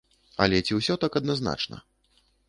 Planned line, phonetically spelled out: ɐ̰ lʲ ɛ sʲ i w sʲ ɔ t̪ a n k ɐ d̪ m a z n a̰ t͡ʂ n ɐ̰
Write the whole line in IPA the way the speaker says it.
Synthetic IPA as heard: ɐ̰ lʲ ɛ t͡sʲ i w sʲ ɔ t̪ a k ɐ d̪ n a z n a̰ t͡ʂ n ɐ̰